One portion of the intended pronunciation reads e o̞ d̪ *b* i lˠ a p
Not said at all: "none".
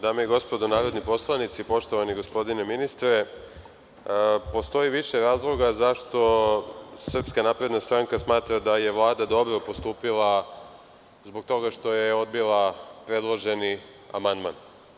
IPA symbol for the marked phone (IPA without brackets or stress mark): b